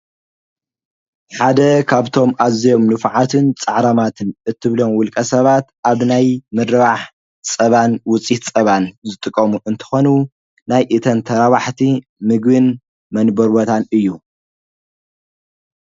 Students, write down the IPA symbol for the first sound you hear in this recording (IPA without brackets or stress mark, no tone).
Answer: ħ